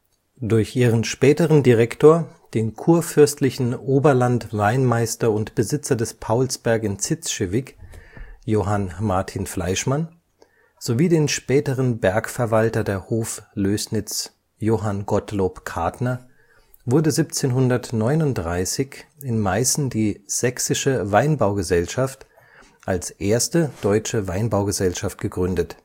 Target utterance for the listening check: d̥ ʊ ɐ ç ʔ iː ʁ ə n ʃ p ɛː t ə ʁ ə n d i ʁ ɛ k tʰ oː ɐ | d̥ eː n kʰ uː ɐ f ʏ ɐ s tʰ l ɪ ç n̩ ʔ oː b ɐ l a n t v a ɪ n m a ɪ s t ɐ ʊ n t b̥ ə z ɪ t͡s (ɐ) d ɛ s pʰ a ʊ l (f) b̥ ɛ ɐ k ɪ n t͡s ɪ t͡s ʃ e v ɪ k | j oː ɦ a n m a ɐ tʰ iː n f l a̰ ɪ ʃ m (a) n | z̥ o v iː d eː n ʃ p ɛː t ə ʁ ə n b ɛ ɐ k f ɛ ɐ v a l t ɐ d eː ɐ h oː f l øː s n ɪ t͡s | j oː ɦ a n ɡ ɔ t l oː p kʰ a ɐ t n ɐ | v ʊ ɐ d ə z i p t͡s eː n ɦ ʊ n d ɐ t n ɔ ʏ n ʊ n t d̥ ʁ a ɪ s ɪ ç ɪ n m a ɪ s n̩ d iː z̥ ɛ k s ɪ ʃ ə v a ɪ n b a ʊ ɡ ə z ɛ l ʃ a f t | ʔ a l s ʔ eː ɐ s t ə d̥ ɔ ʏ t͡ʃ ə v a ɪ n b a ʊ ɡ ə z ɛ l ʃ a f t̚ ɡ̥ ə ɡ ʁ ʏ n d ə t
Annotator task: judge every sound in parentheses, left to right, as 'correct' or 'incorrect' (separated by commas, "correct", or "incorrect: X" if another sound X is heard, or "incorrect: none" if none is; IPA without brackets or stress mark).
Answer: correct, incorrect: s, correct